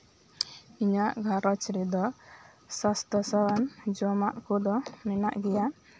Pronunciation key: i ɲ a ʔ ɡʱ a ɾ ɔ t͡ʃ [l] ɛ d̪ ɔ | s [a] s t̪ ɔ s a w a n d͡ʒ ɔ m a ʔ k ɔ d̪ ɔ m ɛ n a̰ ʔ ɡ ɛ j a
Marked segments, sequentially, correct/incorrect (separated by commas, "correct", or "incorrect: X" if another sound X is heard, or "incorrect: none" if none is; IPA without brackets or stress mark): incorrect: ɾ, correct